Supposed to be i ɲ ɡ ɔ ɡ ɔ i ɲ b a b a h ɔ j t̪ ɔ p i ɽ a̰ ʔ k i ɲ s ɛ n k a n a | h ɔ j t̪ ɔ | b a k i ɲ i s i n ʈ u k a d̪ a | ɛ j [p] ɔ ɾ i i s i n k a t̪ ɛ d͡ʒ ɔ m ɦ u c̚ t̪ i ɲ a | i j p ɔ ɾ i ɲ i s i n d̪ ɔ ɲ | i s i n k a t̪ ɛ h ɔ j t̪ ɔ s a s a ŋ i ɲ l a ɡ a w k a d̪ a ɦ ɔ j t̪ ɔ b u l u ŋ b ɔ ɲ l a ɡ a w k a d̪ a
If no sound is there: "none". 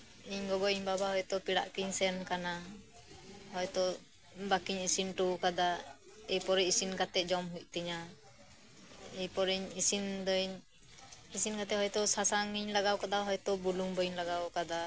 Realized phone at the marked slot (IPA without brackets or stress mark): p